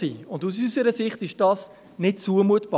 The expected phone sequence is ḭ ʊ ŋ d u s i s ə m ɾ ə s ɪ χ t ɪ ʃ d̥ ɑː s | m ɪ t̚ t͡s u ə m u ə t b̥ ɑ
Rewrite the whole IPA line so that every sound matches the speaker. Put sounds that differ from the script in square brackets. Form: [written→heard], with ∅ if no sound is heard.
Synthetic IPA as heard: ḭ ʊ [ŋ→n] d u s [i→y] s ə [m→∅] ɾ ə s ɪ χ t ɪ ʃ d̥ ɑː s | [m→n] ɪ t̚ t͡s u ə m u ə t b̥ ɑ